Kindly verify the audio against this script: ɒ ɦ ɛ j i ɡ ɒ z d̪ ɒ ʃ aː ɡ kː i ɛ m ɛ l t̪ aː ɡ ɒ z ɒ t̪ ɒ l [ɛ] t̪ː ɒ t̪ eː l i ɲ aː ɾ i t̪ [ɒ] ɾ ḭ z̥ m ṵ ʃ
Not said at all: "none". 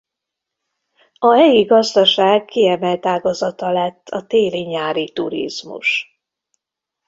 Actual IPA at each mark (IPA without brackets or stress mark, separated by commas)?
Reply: ɛ, u